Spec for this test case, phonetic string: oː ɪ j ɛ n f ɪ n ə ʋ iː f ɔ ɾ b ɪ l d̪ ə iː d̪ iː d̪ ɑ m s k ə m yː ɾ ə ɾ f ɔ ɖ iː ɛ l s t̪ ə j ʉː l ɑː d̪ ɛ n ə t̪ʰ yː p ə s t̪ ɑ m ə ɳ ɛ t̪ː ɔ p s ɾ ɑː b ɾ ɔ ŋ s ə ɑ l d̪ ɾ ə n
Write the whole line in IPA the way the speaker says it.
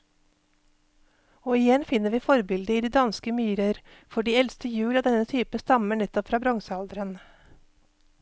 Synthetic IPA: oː ɪ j ɛ n f ɪ n ə ʋ iː f ɔ ɾ b ɪ l d̪ ə iː d̪ iː d̪ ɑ n s k ə m yː ɾ ə ɾ f ɔ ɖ iː ɛ l s t̪ ə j ʉː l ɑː d̪ ɛ n ə t̪ʰ yː p ə s t̪ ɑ m ə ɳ ɛ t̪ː ɔ p f ɾ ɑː b ɾ ɔ ŋ s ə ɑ l d̪ ɾ ə n